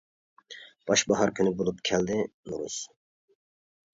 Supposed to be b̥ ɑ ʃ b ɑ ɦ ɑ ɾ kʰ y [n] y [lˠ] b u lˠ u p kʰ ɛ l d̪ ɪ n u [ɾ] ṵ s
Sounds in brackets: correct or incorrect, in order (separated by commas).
correct, incorrect, correct